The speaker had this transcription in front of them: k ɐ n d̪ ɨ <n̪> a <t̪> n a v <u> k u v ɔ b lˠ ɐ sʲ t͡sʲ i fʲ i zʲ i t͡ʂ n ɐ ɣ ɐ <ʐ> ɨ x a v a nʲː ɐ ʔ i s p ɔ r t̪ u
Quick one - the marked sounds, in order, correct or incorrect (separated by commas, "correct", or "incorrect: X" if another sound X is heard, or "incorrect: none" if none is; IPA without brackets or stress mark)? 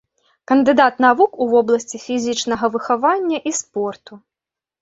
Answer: incorrect: d̪, correct, correct, incorrect: v